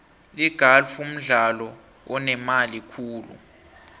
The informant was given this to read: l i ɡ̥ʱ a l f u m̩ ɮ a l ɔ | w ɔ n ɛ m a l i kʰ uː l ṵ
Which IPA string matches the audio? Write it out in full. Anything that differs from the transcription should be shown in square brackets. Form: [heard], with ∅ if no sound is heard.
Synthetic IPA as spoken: l i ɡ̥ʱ a l f u m̩ ɮ a l ɔ | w ɔ n ɛ m a l i kʰ uː l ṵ